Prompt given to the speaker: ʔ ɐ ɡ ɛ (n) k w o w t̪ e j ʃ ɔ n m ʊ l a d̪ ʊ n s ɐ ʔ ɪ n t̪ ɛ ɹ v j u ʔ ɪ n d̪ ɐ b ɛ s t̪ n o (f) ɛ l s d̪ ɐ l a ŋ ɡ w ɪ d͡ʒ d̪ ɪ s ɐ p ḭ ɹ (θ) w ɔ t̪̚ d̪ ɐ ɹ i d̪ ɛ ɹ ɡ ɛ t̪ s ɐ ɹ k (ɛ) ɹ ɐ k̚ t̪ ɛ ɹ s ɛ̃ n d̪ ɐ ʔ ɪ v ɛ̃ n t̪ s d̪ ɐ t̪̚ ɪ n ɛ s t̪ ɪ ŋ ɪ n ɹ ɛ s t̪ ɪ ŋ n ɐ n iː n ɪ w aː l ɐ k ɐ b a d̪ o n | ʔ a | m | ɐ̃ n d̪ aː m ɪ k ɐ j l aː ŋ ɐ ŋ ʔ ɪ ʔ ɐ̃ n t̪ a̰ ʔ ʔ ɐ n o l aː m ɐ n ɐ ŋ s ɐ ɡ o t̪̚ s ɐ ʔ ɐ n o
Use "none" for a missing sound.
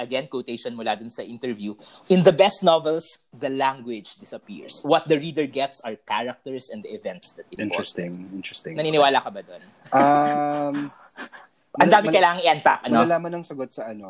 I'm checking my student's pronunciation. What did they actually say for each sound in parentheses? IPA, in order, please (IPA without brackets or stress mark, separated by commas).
n, v, s, a